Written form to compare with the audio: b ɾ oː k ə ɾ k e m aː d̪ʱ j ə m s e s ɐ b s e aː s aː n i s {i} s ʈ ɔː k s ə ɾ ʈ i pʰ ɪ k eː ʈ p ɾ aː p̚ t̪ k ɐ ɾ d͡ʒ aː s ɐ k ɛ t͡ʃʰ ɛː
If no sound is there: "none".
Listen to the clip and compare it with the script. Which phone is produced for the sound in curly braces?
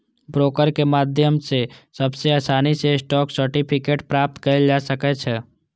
e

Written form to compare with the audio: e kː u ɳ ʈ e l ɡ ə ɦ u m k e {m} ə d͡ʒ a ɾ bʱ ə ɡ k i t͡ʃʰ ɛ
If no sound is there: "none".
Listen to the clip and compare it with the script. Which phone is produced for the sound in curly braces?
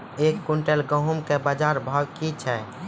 b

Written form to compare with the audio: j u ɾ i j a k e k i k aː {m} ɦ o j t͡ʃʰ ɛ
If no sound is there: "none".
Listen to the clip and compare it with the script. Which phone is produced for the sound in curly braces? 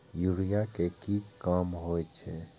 m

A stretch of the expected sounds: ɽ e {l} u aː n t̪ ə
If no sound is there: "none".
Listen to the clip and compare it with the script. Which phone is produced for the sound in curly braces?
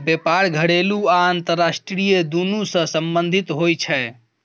l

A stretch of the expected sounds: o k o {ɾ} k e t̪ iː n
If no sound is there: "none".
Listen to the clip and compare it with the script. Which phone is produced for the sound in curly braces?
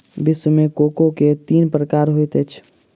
none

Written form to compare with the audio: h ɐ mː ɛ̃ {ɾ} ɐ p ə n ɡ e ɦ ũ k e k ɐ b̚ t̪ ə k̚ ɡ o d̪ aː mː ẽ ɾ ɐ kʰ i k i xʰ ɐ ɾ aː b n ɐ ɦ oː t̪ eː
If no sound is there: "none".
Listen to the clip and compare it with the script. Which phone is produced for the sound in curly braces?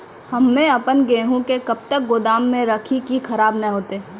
none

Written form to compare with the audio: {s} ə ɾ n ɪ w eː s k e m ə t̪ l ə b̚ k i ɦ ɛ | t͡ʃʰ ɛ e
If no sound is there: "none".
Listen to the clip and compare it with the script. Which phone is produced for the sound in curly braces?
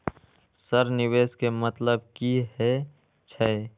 s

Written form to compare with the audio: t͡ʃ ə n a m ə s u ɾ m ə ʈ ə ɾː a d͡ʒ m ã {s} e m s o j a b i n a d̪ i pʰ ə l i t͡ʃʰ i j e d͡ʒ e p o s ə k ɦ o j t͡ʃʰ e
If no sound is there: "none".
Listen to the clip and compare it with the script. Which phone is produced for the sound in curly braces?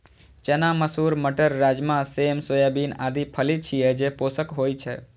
s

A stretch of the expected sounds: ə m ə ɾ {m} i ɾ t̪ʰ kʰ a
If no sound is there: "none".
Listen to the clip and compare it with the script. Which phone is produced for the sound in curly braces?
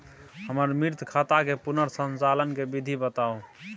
m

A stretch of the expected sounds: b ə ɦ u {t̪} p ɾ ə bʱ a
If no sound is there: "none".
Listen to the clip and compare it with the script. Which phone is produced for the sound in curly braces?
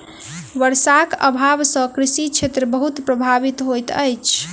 t̪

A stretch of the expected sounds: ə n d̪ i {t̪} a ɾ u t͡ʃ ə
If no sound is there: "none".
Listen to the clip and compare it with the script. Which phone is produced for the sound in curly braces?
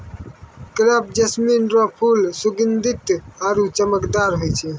t̪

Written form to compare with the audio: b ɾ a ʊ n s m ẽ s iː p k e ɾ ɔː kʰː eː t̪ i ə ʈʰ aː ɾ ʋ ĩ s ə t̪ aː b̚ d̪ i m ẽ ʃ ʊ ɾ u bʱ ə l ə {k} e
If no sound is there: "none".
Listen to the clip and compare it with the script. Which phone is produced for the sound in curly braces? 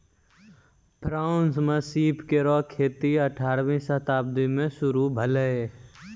none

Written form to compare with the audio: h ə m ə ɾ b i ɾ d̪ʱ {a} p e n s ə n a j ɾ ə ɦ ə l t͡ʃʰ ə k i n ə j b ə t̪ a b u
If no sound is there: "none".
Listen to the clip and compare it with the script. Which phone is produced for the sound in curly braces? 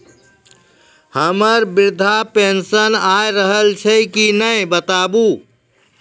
a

